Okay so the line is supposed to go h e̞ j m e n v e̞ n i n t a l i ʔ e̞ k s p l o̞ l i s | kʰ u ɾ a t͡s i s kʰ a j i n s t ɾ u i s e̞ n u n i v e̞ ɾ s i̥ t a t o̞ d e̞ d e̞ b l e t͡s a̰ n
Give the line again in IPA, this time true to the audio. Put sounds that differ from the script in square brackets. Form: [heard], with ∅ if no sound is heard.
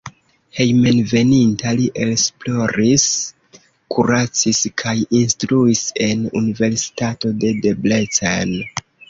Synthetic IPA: h e̞ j m e n v e̞ n i n t a l i ʔ e̞ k s p l o̞ [ɾ] i s | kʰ u ɾ a t͡s i s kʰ a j i n s t ɾ u i s e̞ n u n i v e̞ ɾ s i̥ t a t o̞ d e̞ d e̞ b l e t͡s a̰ n